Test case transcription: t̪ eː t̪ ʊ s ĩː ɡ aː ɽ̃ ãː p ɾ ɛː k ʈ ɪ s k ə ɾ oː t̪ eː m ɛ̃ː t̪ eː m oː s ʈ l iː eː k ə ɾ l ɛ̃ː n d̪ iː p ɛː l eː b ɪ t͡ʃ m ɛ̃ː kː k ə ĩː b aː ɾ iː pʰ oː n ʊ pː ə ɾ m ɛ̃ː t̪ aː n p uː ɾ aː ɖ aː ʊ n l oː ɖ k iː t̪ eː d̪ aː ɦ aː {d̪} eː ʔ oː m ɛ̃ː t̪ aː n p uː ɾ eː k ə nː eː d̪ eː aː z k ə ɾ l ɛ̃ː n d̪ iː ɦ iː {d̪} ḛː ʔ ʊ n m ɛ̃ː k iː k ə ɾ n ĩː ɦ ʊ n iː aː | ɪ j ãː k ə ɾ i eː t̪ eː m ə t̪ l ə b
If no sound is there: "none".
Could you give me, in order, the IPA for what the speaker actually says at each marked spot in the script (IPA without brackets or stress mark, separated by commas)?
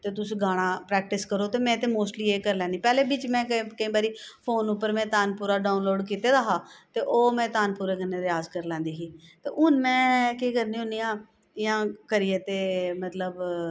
t̪, t̪